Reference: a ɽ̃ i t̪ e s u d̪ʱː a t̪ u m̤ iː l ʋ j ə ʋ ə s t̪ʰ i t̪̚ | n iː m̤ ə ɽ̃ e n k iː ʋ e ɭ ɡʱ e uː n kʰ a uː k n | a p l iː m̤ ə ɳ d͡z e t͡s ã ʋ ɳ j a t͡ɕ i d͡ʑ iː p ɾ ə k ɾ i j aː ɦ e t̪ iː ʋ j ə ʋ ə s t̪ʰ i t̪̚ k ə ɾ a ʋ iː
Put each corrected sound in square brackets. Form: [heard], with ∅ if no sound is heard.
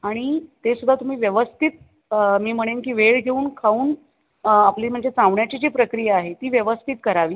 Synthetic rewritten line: a ɽ̃ i t̪ e s u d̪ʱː a t̪ u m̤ iː [∅] ʋ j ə ʋ ə s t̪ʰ i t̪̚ | [m] iː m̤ ə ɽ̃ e n k iː ʋ e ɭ ɡʱ e uː n kʰ a uː [∅] n | a p l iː m̤ ə ɳ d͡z e t͡s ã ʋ ɳ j a t͡ɕ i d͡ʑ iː p ɾ ə k ɾ i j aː ɦ e t̪ iː ʋ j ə ʋ ə s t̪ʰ i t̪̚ k ə ɾ a ʋ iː